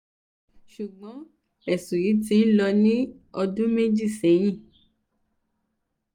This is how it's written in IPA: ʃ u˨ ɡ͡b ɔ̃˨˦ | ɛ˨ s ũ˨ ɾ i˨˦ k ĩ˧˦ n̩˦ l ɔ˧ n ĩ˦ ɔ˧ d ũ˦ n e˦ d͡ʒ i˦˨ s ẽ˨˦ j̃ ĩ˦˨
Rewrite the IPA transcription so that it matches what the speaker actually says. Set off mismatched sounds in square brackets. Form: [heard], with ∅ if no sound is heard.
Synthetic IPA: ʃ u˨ ɡ͡b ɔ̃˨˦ | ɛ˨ s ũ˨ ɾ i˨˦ [t] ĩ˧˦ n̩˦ l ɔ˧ n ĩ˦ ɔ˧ d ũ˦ [m] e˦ d͡ʒ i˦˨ s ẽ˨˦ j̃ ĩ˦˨